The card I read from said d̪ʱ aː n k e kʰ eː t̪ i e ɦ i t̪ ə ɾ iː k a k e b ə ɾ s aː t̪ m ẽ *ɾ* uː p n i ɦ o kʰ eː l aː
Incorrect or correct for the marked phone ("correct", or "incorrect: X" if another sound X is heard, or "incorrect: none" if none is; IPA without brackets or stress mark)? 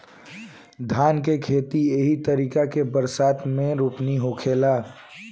correct